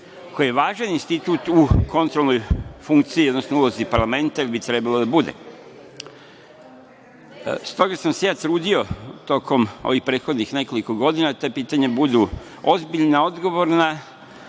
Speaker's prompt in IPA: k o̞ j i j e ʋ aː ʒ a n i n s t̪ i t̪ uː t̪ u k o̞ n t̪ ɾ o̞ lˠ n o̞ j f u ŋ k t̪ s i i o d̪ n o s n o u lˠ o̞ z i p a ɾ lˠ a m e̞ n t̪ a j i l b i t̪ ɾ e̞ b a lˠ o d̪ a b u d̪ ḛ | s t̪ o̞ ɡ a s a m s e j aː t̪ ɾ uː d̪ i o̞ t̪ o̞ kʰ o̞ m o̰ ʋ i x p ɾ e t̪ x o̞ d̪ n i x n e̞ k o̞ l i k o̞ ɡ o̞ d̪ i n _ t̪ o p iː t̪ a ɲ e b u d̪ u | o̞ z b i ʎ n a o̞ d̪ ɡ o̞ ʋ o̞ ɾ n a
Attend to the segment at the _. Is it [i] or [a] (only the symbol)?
a